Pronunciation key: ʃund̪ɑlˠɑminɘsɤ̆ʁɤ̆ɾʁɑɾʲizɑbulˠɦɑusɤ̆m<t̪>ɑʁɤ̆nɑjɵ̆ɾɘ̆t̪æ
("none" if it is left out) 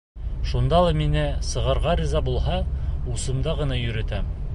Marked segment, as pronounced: d̪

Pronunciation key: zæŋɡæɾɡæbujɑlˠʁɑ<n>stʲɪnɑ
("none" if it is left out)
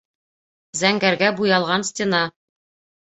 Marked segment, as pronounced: n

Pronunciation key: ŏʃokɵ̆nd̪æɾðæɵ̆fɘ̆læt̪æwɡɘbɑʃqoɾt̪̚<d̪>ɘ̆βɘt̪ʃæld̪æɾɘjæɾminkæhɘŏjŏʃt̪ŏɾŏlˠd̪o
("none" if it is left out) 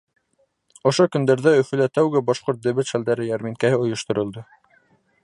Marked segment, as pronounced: d̪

